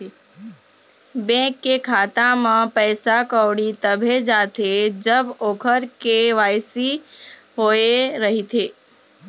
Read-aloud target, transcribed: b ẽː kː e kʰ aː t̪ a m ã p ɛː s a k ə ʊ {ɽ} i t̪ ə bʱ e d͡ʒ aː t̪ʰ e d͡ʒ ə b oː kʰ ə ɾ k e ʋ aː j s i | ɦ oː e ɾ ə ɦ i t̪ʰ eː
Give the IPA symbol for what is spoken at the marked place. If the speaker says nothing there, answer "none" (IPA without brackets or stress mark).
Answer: ɽ